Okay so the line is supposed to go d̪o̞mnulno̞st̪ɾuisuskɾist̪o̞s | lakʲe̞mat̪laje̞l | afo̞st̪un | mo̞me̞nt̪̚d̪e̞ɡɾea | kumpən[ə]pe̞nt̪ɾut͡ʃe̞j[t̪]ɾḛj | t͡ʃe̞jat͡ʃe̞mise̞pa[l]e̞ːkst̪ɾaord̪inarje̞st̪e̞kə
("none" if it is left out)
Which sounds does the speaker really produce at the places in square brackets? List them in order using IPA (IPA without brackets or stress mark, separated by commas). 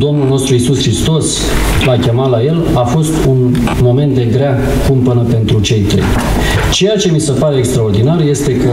ə, t̪, ɾ